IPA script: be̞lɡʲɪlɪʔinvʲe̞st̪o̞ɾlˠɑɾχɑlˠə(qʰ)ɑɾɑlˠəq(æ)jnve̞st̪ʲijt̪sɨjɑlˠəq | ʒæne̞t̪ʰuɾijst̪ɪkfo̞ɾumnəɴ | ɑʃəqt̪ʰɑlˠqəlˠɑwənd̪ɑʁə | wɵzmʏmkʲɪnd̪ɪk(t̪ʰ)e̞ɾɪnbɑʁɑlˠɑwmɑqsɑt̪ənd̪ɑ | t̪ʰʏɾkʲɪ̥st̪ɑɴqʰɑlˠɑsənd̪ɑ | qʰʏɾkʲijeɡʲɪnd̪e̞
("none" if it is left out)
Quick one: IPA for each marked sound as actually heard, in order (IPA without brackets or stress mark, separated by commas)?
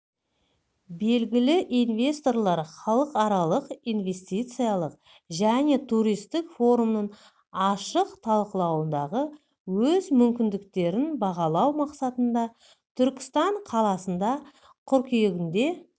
q, i, t̪